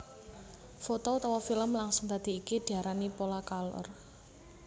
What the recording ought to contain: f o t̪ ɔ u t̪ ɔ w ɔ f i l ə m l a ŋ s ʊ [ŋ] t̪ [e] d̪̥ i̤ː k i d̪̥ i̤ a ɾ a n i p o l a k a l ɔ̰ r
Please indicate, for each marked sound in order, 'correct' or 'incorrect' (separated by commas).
correct, incorrect